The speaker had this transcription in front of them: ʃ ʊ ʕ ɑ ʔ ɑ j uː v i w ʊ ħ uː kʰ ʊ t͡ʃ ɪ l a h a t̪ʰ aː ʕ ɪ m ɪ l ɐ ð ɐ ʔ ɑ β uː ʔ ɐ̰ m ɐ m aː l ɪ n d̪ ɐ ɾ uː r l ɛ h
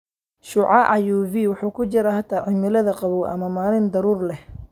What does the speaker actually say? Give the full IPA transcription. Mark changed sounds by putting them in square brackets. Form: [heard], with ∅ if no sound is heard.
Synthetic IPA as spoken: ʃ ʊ ʕ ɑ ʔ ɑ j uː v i w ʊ ħ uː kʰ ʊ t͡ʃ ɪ [ɾ] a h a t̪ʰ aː ʕ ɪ m ɪ l ɐ ð ɐ [q] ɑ β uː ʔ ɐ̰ m ɐ m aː l ɪ n d̪ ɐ ɾ uː r l ɛ h